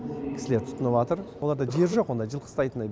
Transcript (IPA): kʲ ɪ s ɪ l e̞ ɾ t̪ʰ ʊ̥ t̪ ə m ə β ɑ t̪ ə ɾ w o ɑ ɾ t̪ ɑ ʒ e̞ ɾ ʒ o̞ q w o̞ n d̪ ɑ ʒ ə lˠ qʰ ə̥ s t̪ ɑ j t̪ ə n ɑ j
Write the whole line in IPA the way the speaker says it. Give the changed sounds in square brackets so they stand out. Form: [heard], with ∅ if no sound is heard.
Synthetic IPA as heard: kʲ ɪ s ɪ l e̞ ɾ t̪ʰ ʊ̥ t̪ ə [n] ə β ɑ t̪ ə ɾ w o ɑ ɾ [d̪] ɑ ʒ e̞ ɾ ʒ o̞ q w o̞ n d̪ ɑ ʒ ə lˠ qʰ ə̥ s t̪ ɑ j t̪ ə n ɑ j